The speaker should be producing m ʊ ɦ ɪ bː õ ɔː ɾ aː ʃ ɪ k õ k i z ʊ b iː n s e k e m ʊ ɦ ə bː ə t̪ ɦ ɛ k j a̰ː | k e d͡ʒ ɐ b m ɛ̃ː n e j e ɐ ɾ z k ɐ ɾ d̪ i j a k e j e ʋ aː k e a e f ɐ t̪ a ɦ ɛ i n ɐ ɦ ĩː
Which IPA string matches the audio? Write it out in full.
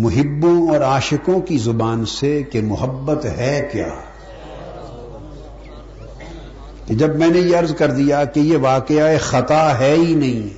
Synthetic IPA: m ʊ ɦ ɪ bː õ ɔː ɾ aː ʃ ɪ k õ k i z ʊ b aː n s e k e m ʊ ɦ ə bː ə t̪ ɦ ɛ k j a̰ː | k e d͡ʒ ɐ b m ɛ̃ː n e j e ɐ ɾ z k ɐ ɾ d̪ i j a k e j e ʋ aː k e a e x ɐ t̪ a ɦ ɛ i n ɐ ɦ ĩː